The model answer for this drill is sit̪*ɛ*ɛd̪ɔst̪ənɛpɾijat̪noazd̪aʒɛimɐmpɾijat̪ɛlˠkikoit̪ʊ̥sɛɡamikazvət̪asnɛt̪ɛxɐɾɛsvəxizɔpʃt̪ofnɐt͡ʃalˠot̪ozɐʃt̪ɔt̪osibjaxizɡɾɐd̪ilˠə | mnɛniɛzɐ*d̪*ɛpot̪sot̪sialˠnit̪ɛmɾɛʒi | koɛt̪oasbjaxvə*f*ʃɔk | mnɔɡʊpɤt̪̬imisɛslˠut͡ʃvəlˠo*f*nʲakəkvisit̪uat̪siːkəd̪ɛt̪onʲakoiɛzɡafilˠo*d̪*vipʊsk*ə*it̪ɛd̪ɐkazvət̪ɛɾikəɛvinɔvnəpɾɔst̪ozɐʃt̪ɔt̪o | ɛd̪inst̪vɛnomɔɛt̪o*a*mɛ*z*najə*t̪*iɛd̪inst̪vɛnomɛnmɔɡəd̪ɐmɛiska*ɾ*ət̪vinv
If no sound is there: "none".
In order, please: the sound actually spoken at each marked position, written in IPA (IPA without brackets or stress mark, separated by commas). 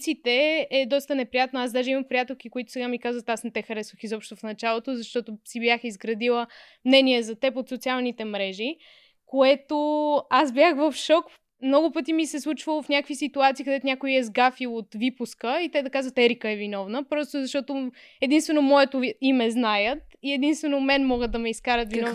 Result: ɛ, t̪, f, f, t̪, ə, i, z, t̪, ɾ